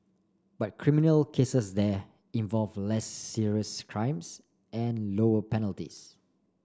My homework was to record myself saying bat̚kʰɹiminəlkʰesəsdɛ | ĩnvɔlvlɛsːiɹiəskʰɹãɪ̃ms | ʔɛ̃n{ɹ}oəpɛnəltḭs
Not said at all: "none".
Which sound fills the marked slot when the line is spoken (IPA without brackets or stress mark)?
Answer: l